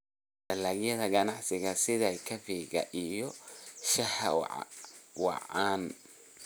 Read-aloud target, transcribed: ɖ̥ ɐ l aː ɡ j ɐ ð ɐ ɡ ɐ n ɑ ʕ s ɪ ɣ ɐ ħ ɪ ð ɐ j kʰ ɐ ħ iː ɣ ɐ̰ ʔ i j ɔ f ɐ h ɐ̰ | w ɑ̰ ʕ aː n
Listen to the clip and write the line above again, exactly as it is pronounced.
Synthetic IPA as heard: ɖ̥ ɐ l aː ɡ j ɐ ð ɐ ɡ ɐ n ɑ ʕ s ɪ ɣ ɐ s ɪ ð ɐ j kʰ ɐ f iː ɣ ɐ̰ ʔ i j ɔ ʃ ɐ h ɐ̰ | w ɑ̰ ʕ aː n